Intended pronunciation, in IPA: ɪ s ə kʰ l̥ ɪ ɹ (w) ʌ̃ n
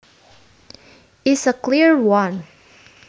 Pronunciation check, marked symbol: correct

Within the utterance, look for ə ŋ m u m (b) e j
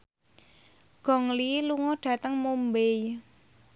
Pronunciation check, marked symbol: correct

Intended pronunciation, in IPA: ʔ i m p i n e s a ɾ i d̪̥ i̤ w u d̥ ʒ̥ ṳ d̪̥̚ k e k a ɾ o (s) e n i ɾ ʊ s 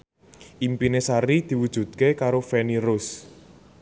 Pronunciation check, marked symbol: incorrect: f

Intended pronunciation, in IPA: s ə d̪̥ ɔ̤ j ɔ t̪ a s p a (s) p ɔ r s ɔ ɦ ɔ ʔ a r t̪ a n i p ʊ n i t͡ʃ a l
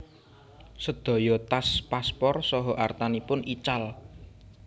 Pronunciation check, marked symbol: correct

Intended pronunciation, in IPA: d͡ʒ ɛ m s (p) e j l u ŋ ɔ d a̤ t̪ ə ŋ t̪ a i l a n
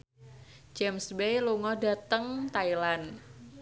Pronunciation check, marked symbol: incorrect: b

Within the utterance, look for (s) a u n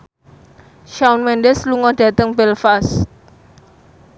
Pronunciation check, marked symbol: incorrect: ʃ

